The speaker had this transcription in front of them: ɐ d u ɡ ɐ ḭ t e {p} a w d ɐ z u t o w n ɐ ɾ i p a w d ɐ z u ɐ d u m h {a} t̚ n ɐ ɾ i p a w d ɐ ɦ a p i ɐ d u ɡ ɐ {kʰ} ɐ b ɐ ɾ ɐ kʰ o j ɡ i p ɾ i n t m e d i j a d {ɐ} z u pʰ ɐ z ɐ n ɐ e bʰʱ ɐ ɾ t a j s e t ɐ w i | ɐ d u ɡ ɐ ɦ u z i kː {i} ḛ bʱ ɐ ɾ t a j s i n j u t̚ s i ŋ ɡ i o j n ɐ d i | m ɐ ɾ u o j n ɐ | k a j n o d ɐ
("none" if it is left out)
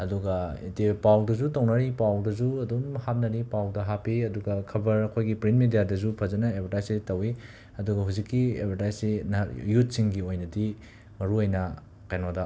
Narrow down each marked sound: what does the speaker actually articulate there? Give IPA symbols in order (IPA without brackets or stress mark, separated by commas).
p, a, kʰ, ɐ, i